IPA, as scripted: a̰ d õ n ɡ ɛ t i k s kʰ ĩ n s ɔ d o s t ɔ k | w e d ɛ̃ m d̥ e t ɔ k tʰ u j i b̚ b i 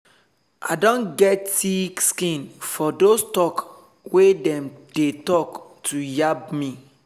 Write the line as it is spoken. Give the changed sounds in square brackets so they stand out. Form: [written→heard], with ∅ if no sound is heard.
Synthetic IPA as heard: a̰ d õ n ɡ ɛ t i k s [kʰ→k] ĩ n [s→f] ɔ d o s t ɔ k | w e d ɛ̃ m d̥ e t ɔ k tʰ u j [i→a] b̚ [b→m] i